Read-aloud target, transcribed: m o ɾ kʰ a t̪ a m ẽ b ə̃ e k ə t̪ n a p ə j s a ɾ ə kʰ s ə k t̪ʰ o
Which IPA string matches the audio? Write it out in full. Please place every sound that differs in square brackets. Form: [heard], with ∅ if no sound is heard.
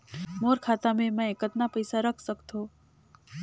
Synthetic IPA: m o ɾ kʰ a t̪ a m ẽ [m] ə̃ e k ə t̪ n a p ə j s a ɾ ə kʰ s ə k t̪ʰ o